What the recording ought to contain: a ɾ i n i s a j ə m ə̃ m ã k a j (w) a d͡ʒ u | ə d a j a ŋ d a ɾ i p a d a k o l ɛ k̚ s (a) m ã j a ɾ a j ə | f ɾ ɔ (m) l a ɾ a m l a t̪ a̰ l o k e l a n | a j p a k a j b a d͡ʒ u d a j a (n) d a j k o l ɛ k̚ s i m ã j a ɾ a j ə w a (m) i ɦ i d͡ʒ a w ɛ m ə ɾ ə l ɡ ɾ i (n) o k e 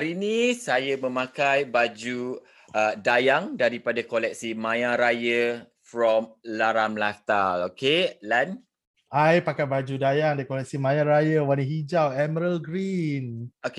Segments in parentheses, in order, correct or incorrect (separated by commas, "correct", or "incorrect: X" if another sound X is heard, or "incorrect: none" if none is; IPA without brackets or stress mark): incorrect: b, incorrect: i, correct, incorrect: ŋ, incorrect: n, correct